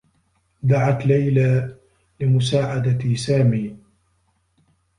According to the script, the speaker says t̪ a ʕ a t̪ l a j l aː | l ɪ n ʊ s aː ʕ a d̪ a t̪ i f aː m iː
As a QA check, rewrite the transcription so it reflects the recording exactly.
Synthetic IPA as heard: d̪ a ʕ a t̪ l a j l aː | l ɪ m ʊ s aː ʕ a d̪ a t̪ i s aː m iː